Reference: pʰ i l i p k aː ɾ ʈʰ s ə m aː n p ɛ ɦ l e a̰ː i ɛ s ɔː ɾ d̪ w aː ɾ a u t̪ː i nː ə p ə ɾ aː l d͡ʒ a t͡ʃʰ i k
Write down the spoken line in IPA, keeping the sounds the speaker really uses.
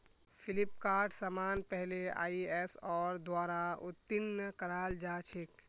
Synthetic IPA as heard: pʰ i l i p k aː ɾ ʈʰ s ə m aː n p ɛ ɦ l e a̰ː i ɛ s ɔː ɾ d̪ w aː ɾ a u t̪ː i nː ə k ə ɾ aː l d͡ʒ a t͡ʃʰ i k